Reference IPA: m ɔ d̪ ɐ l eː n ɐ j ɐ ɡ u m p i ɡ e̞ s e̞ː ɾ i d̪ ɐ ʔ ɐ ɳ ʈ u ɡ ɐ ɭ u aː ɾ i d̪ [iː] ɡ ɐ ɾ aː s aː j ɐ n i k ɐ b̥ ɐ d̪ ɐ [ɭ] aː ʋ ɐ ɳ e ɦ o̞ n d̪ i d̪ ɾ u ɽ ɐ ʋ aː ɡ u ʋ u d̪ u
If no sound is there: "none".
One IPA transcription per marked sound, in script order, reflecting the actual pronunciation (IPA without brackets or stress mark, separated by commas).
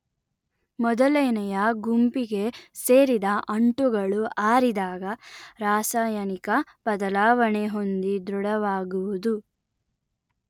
aː, l